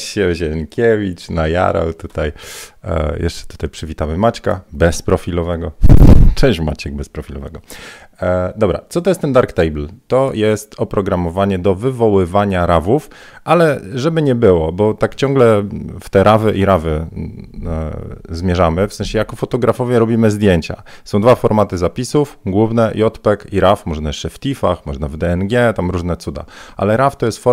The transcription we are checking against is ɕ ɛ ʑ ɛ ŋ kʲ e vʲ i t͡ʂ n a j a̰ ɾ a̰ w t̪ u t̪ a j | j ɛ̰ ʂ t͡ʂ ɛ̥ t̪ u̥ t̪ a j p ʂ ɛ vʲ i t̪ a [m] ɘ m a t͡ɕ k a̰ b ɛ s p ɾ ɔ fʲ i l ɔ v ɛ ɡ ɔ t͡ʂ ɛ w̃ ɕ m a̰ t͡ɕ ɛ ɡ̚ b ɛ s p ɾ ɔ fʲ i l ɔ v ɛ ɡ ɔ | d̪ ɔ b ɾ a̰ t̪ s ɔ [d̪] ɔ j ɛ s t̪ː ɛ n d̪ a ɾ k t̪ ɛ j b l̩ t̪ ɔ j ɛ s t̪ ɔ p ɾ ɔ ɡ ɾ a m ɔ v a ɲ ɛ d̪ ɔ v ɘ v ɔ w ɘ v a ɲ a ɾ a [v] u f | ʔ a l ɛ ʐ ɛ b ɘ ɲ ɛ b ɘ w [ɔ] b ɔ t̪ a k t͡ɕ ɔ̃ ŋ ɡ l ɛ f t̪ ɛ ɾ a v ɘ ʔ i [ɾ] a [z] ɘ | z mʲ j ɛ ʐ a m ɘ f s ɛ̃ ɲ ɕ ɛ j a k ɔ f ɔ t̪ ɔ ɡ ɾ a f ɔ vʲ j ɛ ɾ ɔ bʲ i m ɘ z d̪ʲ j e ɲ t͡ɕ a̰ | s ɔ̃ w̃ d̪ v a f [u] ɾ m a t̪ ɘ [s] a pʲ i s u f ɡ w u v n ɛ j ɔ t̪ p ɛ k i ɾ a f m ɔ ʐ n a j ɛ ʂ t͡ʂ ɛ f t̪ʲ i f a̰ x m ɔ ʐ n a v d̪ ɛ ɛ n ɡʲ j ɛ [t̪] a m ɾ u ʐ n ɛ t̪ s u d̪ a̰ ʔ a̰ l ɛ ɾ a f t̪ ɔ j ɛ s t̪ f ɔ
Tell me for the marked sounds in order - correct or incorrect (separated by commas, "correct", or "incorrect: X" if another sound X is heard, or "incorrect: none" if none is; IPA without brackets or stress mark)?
correct, incorrect: t̪, correct, correct, correct, incorrect: v, incorrect: ɔ, incorrect: z, correct